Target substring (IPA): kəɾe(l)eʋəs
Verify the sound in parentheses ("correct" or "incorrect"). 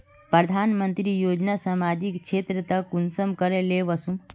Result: correct